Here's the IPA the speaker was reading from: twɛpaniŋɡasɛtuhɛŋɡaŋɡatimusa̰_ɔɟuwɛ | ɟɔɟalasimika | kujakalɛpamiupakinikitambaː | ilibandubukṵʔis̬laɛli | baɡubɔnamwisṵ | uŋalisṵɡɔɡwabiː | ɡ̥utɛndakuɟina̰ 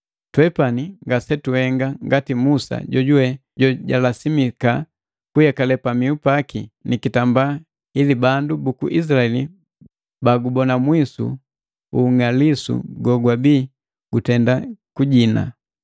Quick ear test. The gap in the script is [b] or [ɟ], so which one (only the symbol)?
ɟ